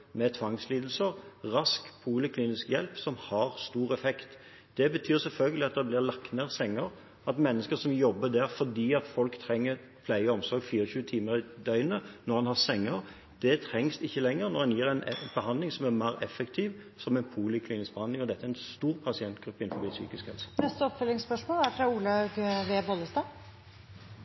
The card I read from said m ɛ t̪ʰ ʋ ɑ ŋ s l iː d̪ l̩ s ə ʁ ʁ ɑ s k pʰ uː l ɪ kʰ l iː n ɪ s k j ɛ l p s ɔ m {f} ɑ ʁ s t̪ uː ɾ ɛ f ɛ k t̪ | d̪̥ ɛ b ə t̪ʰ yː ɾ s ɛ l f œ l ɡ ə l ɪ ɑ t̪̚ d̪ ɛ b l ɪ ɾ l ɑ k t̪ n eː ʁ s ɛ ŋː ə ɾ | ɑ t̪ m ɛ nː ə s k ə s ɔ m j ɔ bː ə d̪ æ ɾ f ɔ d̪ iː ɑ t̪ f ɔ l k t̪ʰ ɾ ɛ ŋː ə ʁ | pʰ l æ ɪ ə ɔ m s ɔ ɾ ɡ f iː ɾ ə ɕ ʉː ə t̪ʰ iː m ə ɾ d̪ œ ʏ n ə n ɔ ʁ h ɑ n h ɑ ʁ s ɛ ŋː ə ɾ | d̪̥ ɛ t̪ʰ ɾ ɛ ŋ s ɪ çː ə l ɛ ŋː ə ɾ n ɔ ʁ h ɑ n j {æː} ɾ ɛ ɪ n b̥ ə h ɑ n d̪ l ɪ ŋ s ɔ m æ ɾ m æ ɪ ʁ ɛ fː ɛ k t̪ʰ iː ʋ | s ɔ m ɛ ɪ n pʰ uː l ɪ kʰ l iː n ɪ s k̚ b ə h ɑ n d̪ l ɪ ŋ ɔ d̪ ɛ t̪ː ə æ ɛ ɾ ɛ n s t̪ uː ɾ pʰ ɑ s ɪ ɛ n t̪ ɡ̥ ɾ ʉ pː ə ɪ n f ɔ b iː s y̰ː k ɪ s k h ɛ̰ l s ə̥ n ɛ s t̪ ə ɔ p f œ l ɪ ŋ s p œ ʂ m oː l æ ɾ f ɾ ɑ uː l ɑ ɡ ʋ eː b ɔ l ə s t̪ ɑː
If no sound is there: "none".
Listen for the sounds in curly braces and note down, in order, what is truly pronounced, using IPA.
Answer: h, iː

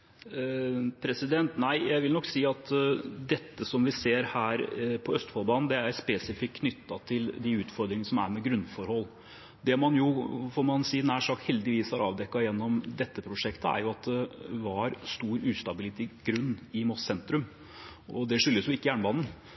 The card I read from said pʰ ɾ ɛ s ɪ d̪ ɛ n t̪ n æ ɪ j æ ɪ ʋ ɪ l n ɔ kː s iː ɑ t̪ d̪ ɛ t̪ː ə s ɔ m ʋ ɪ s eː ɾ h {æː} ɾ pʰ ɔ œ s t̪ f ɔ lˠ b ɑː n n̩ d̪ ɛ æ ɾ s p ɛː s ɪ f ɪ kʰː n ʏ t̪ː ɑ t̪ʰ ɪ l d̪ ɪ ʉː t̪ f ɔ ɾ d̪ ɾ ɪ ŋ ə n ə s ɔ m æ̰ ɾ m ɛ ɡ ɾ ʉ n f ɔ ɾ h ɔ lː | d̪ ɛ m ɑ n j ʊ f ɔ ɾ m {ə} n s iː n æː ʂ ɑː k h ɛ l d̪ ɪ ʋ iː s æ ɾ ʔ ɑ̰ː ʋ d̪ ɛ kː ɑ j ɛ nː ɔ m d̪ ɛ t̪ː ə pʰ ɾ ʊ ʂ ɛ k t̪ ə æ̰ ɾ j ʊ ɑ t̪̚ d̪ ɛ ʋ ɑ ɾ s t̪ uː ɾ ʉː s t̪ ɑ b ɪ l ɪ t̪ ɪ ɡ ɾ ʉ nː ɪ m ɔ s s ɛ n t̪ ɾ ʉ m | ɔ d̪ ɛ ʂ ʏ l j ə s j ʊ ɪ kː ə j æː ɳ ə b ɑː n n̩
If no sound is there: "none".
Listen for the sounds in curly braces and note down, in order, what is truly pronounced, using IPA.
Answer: æː, ɑ

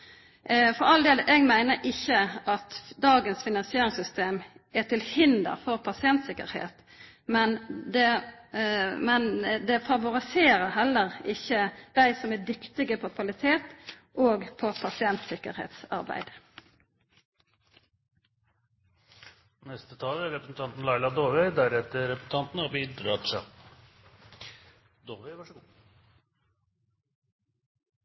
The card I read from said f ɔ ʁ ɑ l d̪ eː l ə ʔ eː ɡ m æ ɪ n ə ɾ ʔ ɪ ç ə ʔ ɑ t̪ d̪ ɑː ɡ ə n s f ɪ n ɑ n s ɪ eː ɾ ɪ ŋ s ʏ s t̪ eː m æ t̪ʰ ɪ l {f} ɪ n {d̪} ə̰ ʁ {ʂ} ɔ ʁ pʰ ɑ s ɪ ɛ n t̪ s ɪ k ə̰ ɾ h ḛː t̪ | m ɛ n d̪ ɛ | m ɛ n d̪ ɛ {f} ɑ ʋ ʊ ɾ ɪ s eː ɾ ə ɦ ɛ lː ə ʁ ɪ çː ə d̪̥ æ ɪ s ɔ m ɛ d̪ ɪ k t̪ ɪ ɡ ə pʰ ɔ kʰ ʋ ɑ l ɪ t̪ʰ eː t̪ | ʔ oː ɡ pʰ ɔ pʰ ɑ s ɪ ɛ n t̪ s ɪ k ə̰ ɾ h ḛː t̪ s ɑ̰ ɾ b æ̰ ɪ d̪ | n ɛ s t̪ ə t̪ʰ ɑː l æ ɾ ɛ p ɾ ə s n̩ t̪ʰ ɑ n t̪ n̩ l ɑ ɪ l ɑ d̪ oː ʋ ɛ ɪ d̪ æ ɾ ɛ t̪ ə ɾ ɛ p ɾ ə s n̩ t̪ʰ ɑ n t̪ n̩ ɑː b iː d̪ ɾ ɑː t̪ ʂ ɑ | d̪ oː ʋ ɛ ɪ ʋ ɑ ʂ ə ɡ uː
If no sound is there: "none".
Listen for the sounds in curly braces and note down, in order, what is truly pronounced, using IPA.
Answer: h, d̪, f, f

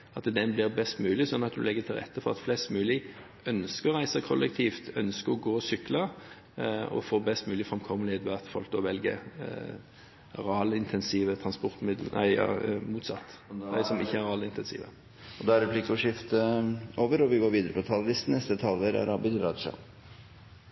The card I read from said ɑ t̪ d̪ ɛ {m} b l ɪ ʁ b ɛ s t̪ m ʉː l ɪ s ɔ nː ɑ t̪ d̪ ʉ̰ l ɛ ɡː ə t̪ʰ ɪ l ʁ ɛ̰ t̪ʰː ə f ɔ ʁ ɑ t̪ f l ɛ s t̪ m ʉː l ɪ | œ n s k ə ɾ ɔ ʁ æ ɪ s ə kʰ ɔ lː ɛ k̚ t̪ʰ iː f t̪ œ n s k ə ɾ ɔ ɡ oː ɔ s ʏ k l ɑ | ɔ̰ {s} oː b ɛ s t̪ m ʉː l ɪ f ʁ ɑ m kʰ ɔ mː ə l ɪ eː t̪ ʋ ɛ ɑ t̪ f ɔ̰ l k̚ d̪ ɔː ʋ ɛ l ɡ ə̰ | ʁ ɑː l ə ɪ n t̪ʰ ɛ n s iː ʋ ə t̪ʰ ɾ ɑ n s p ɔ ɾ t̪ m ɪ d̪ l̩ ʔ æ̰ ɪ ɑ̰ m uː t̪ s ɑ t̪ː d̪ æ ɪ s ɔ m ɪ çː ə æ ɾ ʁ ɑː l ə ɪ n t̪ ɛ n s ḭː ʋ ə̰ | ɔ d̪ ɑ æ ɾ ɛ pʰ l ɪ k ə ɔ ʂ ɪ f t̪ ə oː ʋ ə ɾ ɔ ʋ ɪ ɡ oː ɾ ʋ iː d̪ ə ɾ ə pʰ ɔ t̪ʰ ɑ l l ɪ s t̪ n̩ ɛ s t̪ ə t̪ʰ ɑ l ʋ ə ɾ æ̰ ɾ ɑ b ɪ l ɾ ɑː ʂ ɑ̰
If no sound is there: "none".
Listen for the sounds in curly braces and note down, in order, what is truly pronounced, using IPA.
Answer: n, f

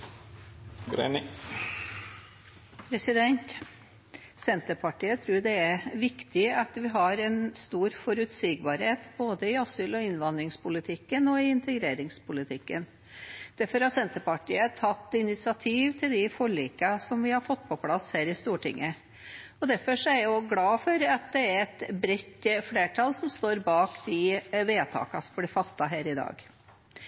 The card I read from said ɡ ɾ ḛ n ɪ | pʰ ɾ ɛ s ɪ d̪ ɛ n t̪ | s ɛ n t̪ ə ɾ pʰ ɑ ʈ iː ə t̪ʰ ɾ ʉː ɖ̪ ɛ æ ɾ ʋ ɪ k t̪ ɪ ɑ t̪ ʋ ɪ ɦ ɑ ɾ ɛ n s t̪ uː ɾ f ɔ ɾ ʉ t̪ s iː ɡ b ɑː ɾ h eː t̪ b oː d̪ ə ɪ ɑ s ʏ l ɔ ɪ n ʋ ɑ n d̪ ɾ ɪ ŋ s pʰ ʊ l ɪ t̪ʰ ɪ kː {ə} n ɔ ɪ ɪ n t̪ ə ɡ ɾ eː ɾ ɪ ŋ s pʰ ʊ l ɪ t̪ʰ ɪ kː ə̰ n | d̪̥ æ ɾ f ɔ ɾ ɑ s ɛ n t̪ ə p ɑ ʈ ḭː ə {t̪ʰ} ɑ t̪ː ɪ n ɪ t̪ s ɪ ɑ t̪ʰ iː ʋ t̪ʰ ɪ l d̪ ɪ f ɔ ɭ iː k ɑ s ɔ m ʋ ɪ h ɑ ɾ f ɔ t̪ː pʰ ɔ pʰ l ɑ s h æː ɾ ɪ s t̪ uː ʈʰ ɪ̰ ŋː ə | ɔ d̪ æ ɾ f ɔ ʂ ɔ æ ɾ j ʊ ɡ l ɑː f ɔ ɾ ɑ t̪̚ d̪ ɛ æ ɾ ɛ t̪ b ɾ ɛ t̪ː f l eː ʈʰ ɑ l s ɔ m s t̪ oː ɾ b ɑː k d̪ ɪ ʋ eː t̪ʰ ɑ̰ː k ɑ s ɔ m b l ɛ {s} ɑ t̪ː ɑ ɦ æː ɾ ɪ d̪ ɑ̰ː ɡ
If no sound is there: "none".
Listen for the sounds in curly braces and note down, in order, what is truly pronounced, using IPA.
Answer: ə, t̪ʰ, f

